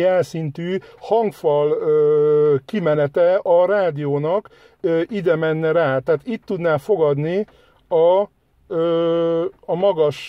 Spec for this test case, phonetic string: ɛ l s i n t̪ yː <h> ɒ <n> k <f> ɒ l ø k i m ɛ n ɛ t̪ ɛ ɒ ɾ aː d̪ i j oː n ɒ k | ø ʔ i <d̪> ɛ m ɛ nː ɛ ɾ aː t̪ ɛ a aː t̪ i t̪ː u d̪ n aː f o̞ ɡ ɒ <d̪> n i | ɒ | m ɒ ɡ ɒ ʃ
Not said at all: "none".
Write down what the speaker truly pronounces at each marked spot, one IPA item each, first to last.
h, ŋ, f, d̪, d̪

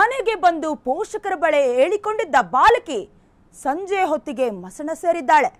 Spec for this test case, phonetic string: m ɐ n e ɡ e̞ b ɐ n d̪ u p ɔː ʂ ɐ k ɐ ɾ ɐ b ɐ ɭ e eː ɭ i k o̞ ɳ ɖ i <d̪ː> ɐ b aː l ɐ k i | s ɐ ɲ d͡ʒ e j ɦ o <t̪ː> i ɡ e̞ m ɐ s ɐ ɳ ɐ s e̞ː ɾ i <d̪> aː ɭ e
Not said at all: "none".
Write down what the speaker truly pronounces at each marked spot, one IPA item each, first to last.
d̪ː, t̪ː, d̪ː

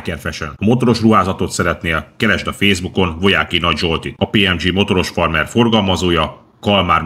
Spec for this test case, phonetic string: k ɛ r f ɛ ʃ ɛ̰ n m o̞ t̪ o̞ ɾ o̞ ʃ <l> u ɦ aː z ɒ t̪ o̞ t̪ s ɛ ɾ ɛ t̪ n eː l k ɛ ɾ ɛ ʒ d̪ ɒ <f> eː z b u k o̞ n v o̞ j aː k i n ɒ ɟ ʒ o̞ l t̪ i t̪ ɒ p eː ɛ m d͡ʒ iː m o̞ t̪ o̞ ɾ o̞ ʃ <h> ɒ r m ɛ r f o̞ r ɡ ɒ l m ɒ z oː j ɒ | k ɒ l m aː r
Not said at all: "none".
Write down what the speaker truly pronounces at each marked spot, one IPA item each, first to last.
r, f, f

